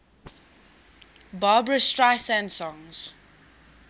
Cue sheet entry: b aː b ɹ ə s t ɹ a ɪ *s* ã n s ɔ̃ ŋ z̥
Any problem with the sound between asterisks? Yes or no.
no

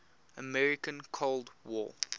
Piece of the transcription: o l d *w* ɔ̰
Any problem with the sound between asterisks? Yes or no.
no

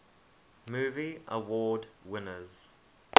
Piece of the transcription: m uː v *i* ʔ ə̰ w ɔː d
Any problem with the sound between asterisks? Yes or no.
no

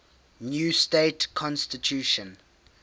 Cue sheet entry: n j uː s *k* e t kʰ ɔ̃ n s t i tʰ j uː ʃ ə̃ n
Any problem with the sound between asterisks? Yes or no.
yes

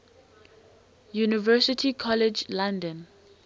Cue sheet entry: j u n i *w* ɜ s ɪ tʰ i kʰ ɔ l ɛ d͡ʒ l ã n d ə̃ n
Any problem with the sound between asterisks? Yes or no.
yes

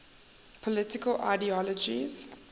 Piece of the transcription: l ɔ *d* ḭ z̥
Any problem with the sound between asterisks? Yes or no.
yes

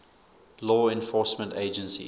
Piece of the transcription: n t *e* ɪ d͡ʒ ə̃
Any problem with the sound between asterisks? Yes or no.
no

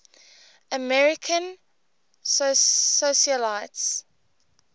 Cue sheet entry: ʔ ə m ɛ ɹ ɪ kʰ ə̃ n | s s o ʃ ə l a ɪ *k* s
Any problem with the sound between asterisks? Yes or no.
yes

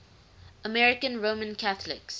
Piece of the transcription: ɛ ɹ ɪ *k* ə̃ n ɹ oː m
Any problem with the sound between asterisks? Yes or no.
no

